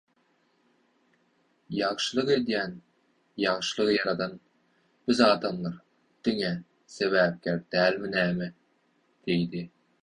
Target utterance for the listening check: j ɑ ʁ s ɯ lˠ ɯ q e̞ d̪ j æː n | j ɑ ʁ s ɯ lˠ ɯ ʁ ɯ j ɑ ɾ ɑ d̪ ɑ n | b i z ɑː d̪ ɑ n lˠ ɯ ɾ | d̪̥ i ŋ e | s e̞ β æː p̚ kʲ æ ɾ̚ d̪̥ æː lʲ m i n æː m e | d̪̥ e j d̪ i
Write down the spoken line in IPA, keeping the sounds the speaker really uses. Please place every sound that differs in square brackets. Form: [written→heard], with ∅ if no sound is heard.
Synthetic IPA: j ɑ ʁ [s→ʃ] ɯ lˠ ɯ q e̞ d̪ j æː n | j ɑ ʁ [s→ʃ] ɯ lˠ ɯ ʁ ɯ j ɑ ɾ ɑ d̪ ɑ n | b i z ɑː d̪ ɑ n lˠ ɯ ɾ | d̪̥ i ŋ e | s e̞ β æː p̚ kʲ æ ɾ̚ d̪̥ æː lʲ m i n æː m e | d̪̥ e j d̪ i